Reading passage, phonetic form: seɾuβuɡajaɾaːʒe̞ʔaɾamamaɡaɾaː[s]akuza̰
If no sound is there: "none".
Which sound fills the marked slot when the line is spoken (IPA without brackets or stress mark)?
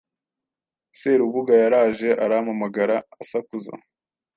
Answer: s